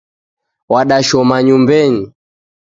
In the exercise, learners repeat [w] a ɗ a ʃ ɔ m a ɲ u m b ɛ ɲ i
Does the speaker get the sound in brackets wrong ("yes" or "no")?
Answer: no